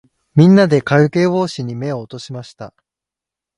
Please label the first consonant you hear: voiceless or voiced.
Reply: voiced